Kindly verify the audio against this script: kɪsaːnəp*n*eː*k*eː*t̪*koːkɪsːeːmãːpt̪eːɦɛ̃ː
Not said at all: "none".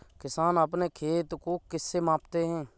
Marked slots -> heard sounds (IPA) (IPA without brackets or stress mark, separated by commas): n, kʰ, t̪